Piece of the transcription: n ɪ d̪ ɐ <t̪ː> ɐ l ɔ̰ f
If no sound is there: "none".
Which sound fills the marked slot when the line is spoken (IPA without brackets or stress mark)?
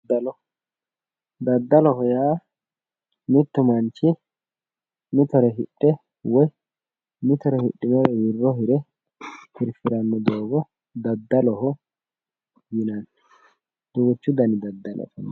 d̪ː